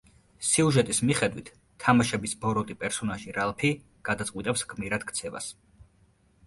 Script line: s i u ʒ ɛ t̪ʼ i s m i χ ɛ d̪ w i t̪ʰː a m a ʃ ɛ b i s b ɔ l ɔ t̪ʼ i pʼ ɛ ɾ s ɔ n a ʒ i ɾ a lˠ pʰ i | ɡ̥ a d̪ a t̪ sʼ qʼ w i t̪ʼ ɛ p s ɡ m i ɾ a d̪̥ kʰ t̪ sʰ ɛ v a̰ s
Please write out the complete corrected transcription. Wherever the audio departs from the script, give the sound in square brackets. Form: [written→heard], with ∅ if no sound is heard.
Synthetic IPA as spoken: s i u ʒ ɛ t̪ʼ i s m i χ ɛ d̪ w i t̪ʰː a m a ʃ ɛ b i s b ɔ [l→ɾ] ɔ t̪ʼ i pʼ ɛ ɾ s ɔ n a ʒ i ɾ a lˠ pʰ i | ɡ̥ a d̪ a t̪ sʼ qʼ w i t̪ʼ ɛ p s ɡ m i ɾ a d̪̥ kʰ t̪ sʰ ɛ v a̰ s